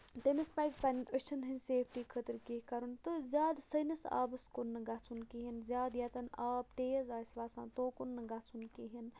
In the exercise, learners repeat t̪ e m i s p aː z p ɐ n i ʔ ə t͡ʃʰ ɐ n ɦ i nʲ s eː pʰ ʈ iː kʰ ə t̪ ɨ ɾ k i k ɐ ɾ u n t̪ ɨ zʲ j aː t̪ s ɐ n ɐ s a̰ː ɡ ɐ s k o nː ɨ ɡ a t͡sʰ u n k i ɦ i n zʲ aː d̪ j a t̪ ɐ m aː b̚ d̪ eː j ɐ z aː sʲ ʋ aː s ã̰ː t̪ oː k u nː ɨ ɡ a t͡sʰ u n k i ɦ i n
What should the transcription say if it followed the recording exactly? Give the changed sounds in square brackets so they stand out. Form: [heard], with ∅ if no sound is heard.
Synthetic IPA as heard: t̪ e m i s p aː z p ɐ n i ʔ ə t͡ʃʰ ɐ n ɦ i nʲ s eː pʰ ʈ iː kʰ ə t̪ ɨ ɾ k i k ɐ ɾ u n t̪ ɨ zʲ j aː [d̪] s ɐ n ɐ s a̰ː [b] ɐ s k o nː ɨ ɡ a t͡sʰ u n k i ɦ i n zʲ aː d̪ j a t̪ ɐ [n] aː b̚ [t̪] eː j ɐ z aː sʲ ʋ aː s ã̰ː t̪ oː k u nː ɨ ɡ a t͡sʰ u n k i ɦ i n